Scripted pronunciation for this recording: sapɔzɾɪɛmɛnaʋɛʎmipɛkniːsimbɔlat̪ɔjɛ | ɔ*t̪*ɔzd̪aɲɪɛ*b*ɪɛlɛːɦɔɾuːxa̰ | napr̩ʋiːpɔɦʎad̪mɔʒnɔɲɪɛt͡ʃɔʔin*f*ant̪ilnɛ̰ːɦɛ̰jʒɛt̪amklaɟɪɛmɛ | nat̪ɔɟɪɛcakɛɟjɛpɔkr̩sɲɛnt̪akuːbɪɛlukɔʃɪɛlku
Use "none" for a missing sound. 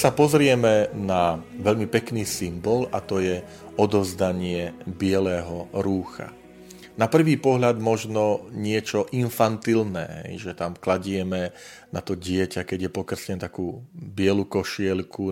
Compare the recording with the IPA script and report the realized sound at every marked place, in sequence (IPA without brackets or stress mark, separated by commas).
d̪, b, f